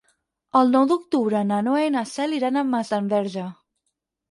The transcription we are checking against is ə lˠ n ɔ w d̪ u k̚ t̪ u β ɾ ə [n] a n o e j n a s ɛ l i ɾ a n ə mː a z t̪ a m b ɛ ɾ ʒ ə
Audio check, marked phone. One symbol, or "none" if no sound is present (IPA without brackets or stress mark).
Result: n